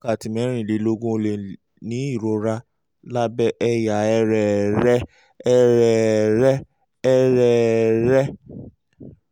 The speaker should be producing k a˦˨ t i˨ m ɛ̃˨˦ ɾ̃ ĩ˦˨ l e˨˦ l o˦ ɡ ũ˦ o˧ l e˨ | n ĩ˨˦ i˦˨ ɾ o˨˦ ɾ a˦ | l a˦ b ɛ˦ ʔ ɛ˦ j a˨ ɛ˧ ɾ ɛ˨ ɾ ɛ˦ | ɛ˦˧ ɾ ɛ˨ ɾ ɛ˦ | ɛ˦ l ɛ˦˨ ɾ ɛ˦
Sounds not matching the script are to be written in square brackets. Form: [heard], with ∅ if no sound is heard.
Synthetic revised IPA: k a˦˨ t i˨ m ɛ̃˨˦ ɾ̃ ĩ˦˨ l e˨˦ l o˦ ɡ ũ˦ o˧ l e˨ | n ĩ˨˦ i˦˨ ɾ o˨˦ ɾ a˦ | l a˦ b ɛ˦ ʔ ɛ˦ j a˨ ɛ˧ ɾ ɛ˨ ɾ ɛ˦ | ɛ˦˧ ɾ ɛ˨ ɾ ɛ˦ | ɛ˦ [ɾ] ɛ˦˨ ɾ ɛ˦

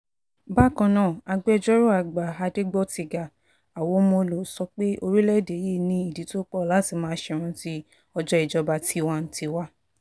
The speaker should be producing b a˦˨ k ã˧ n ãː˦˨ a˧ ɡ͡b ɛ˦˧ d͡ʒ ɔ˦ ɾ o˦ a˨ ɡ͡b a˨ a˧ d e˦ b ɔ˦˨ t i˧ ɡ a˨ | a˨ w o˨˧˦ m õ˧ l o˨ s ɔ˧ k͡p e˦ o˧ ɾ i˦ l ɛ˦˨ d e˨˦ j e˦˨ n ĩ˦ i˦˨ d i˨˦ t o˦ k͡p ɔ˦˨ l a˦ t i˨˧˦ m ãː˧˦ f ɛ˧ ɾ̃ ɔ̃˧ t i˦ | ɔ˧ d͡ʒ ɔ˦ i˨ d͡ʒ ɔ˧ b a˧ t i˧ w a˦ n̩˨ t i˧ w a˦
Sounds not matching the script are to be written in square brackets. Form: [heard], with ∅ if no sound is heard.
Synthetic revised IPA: b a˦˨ k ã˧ n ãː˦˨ a˧ ɡ͡b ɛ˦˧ d͡ʒ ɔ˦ ɾ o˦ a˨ ɡ͡b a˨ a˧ d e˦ [ɡ͡b] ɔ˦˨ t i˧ ɡ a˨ | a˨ w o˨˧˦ m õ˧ l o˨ s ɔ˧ k͡p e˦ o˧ ɾ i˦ l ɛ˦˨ d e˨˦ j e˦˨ n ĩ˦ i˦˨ d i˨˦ t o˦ k͡p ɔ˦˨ l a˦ t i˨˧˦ m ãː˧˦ [ʃ] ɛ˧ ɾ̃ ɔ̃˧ t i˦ | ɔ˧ d͡ʒ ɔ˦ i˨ d͡ʒ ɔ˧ b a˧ t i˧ w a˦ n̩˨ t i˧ w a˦

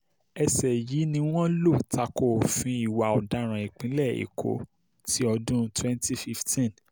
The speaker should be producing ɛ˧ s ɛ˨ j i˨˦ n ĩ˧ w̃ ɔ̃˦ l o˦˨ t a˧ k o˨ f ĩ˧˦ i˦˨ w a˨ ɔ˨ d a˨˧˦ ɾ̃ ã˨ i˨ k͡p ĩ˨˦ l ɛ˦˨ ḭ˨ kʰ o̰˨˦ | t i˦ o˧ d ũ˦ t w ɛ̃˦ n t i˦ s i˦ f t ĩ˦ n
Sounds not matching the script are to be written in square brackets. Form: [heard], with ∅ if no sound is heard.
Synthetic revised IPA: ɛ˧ s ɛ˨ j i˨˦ n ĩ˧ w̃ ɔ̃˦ l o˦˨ t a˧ k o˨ f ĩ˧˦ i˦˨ w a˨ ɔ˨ d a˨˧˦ ɾ̃ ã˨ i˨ k͡p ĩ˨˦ l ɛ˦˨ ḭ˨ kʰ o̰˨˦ | t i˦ [ɔ˧] d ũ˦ t w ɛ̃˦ n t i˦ [f] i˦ f t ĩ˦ n

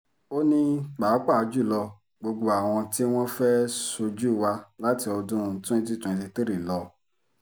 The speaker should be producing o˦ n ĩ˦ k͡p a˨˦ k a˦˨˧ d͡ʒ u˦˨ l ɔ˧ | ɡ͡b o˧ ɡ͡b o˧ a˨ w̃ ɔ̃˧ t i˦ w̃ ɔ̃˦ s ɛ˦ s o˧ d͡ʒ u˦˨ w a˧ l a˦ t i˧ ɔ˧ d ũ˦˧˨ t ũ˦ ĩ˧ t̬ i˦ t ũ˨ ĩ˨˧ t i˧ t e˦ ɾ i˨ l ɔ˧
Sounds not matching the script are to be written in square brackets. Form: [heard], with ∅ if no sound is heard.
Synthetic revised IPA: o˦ n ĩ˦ k͡p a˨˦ [k͡p] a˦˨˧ d͡ʒ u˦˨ l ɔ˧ | ɡ͡b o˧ ɡ͡b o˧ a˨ w̃ ɔ̃˧ t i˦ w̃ ɔ̃˦ [f] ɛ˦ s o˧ d͡ʒ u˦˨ w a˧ l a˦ t i˧ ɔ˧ d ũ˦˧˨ t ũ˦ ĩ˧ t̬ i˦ t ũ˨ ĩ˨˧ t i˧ t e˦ ɾ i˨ l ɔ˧

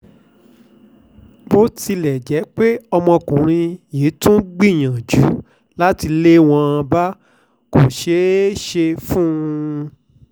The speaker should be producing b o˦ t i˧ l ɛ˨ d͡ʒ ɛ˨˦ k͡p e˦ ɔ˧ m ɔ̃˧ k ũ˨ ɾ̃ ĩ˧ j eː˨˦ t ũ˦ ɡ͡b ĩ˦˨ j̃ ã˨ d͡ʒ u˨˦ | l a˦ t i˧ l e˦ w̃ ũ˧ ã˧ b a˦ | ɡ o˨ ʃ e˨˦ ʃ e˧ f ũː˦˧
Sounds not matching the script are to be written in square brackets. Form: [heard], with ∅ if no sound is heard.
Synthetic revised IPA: b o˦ t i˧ l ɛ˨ d͡ʒ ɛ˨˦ k͡p e˦ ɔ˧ m ɔ̃˧ k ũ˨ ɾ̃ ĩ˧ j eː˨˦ t ũ˦ ɡ͡b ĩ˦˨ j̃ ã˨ d͡ʒ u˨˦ | l a˦ t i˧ l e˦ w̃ [ɔ̃˧] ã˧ b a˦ | [k] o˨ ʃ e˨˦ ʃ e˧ f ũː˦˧

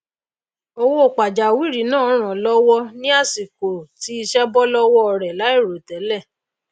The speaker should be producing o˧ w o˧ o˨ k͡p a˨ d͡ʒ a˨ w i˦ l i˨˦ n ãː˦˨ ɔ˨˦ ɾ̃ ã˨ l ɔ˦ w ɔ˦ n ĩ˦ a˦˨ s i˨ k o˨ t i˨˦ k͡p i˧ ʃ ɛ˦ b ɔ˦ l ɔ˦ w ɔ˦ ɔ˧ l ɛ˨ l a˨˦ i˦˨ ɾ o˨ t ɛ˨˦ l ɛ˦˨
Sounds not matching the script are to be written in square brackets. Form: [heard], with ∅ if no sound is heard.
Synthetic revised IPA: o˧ w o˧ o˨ k͡p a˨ d͡ʒ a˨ w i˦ [ɾ] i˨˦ n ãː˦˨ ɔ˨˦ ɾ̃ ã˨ l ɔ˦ w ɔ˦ n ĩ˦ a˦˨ s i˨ k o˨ t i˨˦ [∅] i˧ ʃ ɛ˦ b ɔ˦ l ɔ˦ w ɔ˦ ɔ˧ [ɾ] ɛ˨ l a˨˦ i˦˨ ɾ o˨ t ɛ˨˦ l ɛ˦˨

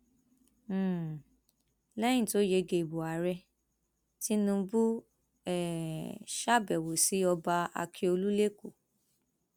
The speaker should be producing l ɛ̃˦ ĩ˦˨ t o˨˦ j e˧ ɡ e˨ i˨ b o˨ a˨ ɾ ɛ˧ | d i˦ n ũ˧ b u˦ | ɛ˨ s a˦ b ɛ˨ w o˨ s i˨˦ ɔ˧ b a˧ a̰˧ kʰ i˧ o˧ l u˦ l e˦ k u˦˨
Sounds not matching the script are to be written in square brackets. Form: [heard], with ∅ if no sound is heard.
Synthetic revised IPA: l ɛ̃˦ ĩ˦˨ t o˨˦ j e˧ ɡ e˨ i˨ b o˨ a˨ ɾ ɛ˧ | [t] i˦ n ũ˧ b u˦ | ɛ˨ [ʃ] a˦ b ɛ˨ w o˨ s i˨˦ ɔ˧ b a˧ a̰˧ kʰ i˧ o˧ l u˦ l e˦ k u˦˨

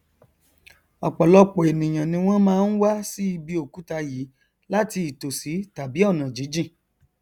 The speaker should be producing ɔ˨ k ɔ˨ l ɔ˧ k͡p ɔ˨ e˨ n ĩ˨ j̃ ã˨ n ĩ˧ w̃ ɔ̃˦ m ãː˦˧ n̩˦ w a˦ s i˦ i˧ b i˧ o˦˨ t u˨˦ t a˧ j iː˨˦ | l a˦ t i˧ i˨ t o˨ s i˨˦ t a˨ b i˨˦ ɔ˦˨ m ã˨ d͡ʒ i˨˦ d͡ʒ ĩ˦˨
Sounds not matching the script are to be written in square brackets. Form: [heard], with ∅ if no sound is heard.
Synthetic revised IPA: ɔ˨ [k͡p] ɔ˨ l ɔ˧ k͡p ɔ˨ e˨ n ĩ˨ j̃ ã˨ n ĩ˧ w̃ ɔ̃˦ m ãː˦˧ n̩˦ w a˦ s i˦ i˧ b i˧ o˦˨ [k] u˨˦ t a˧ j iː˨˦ | l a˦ t i˧ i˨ t o˨ s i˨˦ t a˨ b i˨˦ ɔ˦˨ [n] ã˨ d͡ʒ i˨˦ d͡ʒ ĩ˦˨

